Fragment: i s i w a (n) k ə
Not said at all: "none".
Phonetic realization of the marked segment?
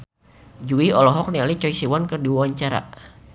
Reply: n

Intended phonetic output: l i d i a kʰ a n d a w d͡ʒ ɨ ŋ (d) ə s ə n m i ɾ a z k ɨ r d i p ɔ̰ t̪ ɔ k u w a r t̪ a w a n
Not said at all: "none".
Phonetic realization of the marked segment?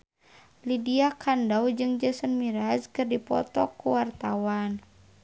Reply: d͡ʒ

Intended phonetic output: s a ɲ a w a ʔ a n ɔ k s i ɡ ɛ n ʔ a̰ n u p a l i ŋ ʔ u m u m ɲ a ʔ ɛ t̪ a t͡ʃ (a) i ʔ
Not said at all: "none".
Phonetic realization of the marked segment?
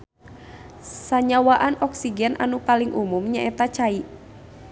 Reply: a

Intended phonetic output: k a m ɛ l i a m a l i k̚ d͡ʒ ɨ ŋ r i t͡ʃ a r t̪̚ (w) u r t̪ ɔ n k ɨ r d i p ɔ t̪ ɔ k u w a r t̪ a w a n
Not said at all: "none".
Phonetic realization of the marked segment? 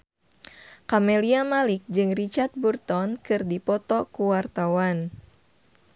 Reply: b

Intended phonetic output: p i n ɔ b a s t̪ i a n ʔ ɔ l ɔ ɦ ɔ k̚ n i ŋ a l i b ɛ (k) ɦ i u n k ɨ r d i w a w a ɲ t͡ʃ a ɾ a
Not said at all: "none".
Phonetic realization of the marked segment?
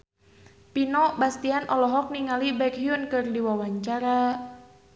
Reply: k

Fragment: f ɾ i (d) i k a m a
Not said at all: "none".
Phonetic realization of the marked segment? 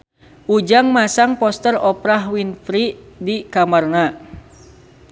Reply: d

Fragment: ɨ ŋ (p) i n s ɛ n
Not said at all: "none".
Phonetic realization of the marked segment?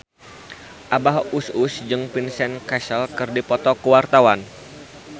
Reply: p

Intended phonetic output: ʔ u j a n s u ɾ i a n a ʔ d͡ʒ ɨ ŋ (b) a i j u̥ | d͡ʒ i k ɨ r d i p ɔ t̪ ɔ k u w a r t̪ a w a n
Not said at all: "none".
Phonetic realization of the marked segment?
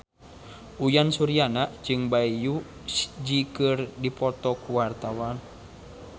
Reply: b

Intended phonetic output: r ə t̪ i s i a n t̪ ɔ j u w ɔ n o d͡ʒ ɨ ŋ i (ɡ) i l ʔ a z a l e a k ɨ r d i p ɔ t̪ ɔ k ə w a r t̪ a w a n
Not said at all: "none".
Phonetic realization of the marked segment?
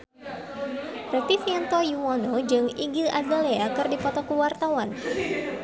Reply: ɡ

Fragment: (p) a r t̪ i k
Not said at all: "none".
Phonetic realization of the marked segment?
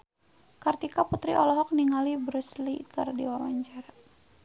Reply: k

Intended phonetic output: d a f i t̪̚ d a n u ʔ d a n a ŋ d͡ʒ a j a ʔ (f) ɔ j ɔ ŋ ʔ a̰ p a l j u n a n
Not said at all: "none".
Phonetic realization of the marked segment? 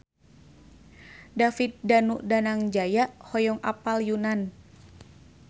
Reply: h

